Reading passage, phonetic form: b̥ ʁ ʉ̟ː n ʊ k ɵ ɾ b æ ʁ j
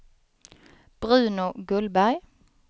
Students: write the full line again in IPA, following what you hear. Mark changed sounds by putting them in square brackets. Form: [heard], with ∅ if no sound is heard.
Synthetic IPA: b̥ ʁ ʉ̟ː n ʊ [ɡ] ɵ [l] b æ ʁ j